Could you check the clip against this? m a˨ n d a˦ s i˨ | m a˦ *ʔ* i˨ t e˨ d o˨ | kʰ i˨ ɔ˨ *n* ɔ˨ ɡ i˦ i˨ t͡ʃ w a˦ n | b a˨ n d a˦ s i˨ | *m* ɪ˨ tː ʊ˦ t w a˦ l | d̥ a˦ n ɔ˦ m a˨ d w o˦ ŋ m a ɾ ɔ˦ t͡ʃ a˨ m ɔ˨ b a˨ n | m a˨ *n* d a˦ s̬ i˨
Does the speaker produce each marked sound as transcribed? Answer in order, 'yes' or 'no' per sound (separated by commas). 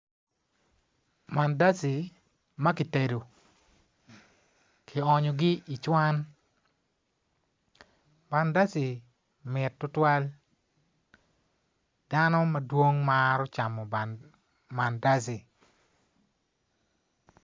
no, no, yes, yes